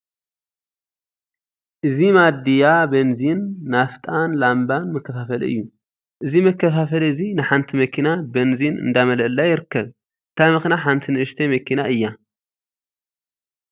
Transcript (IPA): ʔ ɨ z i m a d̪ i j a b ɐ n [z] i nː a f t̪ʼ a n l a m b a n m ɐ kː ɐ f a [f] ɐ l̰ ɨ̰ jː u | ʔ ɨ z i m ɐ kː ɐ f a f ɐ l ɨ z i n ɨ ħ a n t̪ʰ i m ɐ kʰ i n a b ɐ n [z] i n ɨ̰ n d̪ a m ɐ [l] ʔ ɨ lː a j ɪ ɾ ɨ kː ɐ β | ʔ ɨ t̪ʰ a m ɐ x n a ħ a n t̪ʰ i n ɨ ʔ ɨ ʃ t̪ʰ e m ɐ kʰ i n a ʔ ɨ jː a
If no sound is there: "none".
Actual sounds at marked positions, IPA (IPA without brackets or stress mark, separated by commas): z, f, z, l